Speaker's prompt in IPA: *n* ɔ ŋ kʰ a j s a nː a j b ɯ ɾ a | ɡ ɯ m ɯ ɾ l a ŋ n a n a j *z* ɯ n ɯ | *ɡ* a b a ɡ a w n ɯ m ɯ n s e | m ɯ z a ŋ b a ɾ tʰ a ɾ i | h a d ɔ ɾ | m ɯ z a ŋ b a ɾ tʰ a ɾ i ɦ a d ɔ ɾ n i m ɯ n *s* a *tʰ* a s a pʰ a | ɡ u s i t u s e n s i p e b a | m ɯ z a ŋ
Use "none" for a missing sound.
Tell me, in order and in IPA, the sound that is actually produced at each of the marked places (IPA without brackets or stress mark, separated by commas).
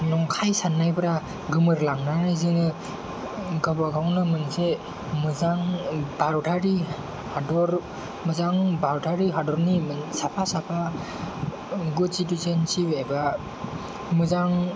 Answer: n, z, ɡ, s, pʰ